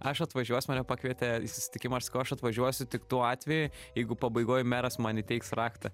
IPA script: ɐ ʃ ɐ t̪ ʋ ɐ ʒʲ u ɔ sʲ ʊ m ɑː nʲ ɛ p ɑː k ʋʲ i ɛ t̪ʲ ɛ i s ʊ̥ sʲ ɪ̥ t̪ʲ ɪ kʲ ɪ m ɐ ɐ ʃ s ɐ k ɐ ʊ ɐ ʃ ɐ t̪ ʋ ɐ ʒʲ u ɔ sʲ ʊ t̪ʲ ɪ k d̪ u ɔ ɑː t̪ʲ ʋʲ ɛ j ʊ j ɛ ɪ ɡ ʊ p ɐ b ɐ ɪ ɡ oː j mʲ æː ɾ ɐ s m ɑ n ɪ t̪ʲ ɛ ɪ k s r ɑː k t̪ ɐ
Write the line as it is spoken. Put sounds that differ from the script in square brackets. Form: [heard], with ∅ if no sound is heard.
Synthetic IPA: ɐ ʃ ɐ t̪ ʋ ɐ ʒʲ u ɔ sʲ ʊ m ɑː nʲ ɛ p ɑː k ʋʲ i ɛ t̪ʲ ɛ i s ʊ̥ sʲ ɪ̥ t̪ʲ ɪ kʲ ɪ m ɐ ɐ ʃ s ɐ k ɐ ʊ ɐ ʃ ɐ t̪ ʋ ɐ ʒʲ u ɔ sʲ ʊ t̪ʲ ɪ k [t̪] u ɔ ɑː t̪ʲ ʋʲ ɛ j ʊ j ɛ ɪ ɡ ʊ p ɐ b ɐ ɪ ɡ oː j mʲ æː ɾ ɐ s m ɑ n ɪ t̪ʲ ɛ ɪ k s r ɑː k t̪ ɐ